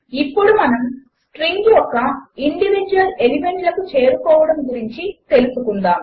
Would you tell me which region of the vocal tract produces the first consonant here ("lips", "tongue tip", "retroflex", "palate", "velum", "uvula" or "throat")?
lips